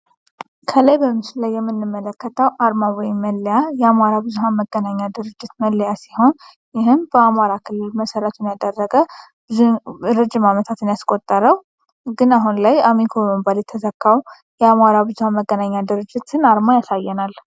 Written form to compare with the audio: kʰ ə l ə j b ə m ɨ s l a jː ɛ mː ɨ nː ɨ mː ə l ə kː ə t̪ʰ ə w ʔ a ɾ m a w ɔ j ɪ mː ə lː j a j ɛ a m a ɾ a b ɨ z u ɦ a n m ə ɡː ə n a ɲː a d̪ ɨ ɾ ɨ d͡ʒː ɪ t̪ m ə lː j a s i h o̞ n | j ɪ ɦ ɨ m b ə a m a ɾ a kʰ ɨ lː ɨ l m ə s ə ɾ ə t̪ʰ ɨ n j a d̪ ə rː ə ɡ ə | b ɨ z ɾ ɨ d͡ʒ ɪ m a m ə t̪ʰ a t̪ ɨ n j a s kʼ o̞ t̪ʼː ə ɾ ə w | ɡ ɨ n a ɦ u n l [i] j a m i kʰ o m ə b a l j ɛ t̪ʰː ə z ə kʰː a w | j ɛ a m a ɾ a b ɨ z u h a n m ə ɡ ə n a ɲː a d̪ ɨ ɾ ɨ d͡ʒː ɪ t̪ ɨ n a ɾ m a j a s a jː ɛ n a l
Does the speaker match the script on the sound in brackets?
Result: no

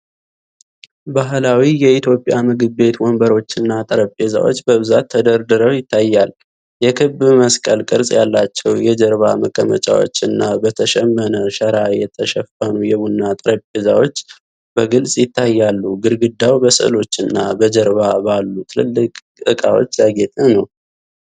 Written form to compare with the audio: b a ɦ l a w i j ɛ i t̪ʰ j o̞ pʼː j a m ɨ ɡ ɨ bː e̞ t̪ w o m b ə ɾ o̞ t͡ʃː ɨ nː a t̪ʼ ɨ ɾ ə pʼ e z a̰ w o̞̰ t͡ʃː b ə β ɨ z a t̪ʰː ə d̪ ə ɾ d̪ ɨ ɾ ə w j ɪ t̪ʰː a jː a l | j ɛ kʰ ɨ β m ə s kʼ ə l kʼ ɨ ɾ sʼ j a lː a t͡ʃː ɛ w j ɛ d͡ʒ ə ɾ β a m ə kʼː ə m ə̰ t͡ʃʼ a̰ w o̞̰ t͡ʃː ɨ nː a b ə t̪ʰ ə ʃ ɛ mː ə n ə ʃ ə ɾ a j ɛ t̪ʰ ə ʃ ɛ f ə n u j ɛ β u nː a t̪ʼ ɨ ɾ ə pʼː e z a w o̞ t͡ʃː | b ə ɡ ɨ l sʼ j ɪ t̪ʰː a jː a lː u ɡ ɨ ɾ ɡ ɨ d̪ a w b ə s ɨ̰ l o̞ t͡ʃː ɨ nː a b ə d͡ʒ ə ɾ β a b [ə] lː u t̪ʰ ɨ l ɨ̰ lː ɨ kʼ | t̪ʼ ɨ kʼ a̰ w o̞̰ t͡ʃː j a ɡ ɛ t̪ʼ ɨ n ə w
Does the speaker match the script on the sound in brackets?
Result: no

